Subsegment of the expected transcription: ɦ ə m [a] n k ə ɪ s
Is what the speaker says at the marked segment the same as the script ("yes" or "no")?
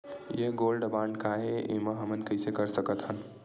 no